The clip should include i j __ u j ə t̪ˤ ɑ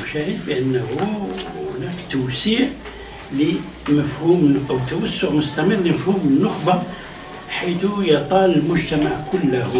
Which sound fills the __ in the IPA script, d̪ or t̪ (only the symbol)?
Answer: t̪